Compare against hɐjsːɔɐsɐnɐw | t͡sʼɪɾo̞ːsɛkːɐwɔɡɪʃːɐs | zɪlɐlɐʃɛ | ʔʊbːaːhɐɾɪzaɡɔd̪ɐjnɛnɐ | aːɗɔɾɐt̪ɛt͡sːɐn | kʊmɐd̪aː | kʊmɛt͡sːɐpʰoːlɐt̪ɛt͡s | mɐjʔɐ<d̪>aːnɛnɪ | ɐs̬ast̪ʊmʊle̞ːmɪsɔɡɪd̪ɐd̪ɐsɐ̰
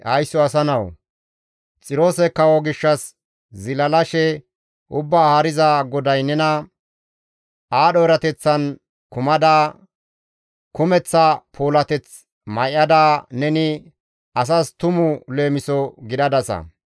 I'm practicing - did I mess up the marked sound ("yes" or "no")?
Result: no